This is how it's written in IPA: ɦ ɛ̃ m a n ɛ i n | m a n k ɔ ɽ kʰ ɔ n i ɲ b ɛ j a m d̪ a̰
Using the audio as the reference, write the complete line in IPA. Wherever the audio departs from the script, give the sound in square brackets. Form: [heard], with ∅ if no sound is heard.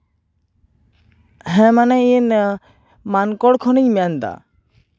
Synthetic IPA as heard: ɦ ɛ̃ m a n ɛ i n | m a n k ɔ ɽ kʰ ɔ n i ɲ [m] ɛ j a [n] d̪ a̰